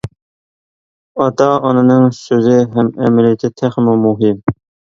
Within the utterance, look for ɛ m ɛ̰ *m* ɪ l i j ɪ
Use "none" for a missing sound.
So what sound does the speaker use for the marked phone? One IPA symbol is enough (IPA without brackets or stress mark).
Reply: m